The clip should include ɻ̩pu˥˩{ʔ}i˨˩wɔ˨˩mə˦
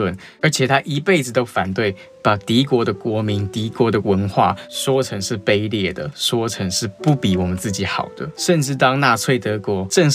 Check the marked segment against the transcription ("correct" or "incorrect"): incorrect